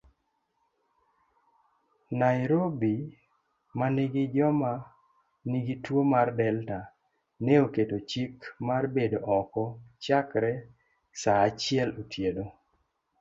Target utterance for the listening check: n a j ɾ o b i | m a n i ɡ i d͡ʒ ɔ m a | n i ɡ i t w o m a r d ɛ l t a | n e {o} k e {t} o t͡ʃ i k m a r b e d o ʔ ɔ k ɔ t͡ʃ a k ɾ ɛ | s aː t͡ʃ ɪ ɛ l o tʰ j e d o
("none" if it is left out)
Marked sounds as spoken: o, t

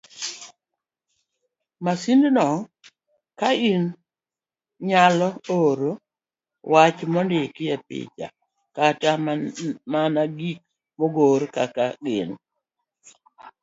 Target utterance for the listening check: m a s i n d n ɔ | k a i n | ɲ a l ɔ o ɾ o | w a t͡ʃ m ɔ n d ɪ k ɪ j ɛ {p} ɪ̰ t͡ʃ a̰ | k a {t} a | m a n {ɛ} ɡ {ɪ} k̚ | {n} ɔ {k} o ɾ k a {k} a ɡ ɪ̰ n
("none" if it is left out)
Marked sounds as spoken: p, t, a, i, m, ɡ, k

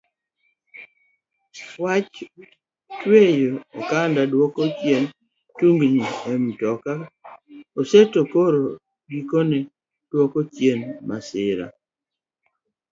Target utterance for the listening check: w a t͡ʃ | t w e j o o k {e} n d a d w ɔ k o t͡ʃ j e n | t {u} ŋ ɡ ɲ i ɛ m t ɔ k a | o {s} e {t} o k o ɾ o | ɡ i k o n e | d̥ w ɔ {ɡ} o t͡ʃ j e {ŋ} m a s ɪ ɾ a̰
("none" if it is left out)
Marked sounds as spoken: a, u, s, t, k, n

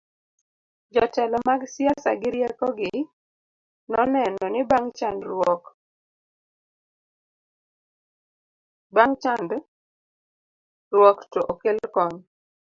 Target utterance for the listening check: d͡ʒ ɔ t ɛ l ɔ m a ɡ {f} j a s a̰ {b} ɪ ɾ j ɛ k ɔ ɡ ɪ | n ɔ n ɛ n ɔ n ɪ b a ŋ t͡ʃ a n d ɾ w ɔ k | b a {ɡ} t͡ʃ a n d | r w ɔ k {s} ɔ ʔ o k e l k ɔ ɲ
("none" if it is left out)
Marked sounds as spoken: s, ɡ, ŋ, t

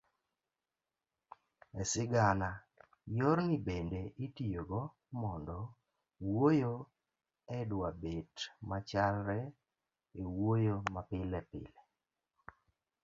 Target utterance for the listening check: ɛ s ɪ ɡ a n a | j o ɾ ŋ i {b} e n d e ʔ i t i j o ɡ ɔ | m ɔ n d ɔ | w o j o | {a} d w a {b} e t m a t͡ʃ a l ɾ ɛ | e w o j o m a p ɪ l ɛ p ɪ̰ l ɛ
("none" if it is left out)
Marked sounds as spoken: b, ɛ, b

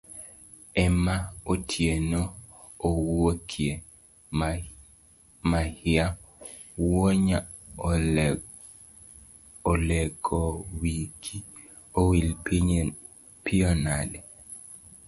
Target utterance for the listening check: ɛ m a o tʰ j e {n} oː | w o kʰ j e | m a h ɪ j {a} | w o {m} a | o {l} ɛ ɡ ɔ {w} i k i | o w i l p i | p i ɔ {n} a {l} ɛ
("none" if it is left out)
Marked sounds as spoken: n, a, ɲ, l, w, n, l

